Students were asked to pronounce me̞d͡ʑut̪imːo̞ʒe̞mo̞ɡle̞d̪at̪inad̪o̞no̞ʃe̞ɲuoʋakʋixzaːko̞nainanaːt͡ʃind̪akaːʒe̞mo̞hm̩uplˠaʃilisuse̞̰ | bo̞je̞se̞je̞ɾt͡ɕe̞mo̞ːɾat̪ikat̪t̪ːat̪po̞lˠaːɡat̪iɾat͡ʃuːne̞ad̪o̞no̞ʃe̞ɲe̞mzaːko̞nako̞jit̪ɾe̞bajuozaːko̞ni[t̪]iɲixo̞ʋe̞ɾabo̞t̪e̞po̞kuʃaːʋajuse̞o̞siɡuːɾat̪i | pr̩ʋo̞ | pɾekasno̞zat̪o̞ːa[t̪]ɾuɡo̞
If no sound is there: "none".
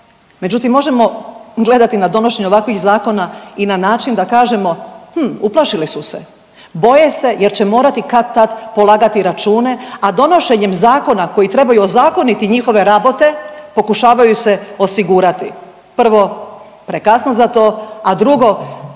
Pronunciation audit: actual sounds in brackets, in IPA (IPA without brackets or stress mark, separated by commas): t̪, d̪